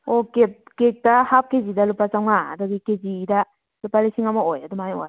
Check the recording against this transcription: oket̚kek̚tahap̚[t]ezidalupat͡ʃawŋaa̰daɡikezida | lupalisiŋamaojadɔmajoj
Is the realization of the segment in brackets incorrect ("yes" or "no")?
yes